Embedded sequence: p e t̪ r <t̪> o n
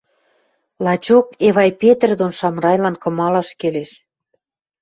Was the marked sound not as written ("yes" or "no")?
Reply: yes